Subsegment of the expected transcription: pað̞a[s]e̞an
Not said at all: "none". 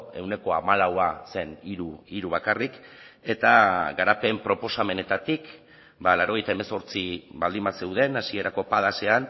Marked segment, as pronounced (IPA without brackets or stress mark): s